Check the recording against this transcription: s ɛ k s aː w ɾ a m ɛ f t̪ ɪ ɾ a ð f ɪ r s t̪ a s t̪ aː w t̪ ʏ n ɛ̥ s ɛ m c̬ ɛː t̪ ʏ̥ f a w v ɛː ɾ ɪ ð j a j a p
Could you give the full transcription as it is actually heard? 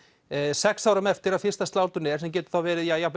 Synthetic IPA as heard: s ɛ k s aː w ɾ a m ɛ f t̪ ɪ ɾ a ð f ɪ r s t̪ a s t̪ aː w t̪ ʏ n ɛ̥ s ɛ m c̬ ɛː t̪ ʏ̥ θ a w v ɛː ɾ ɪ ð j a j a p